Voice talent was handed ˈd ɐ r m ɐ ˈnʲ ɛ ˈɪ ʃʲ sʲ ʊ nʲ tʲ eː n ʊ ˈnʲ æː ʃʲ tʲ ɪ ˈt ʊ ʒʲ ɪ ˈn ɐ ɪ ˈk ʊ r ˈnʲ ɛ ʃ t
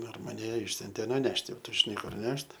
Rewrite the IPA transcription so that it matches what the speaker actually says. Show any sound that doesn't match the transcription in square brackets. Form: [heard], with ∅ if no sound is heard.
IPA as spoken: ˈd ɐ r m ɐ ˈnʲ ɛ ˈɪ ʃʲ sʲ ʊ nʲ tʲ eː n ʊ ˈnʲ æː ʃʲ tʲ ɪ ˈt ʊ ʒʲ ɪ ˈn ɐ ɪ ˈk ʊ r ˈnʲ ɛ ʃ t